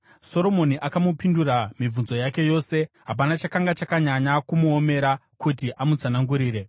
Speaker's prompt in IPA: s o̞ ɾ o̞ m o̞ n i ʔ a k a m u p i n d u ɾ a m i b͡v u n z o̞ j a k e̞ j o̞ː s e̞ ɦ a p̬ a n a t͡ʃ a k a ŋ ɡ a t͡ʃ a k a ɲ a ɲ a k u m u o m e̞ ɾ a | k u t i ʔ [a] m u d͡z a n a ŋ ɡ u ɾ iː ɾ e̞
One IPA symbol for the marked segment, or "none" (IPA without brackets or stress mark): a